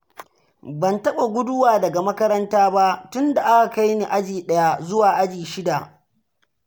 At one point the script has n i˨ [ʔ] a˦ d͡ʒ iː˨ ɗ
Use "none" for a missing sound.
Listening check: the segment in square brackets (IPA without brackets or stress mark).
ʔ